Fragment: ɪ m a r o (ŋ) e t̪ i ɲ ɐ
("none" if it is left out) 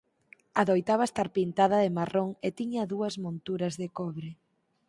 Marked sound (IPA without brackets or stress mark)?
ŋ